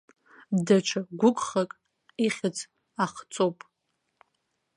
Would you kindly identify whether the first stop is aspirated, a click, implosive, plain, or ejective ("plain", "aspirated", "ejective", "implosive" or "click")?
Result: plain